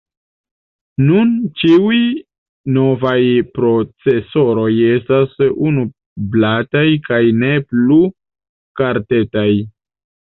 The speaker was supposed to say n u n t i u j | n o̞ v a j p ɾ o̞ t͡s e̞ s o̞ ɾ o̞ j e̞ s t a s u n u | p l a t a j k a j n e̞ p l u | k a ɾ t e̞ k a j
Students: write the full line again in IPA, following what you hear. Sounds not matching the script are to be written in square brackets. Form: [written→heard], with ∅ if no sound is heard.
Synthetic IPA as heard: n u n [t→t͡ʃ] i u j | n o̞ v a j p ɾ o̞ t͡s e̞ s o̞ ɾ o̞ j e̞ s t a s u n u | [p→b] l a t a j k a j n e̞ p l u | k a ɾ t e̞ [k→t] a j